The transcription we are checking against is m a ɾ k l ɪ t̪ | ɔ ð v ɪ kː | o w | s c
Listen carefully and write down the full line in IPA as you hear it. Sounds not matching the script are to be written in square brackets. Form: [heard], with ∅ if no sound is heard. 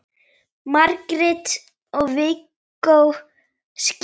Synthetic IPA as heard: m a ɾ k [ɾ] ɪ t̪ | ɔ [ɣ] v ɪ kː | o w | s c